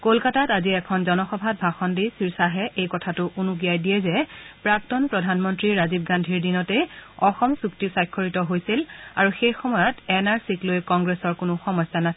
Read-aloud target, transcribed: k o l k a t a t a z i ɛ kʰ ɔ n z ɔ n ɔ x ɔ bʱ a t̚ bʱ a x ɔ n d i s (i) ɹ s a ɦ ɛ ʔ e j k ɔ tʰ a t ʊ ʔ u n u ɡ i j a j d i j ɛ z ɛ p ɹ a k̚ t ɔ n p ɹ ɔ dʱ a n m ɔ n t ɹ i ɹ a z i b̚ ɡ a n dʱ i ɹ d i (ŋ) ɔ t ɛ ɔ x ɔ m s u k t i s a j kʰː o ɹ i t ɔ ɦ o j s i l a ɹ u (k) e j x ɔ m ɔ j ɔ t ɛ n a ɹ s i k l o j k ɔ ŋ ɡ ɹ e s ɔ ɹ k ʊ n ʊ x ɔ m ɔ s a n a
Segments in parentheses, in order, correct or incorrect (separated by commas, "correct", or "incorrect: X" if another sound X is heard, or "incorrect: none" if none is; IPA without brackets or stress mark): correct, incorrect: n, incorrect: x